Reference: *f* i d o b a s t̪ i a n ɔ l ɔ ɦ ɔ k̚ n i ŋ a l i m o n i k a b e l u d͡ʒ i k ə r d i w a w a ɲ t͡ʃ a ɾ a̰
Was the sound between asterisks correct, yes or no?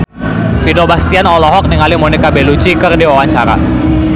yes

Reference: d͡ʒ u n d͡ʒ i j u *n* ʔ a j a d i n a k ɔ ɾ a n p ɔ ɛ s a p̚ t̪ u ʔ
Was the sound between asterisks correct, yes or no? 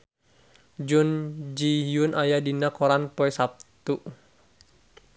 yes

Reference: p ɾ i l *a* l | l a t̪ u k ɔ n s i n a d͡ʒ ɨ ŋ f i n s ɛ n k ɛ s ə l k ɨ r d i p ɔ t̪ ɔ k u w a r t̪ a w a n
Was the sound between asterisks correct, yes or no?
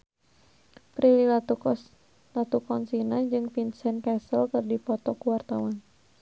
no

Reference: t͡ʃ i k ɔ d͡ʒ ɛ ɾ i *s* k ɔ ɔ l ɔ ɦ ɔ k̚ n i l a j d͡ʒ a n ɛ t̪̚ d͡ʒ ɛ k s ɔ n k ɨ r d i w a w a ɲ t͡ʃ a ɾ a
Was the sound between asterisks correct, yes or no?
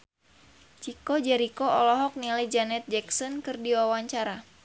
no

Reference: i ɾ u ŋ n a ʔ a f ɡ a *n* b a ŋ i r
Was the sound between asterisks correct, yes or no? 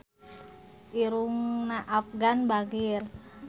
yes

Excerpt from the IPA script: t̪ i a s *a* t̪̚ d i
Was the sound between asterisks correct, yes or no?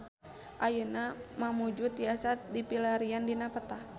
yes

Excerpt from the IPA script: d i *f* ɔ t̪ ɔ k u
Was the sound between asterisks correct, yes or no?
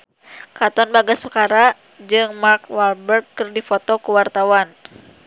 yes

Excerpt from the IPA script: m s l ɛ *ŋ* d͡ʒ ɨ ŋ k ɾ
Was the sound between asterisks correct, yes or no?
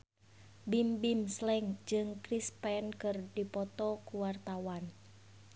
yes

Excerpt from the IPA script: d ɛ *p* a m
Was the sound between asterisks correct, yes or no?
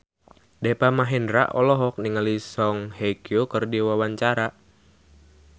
yes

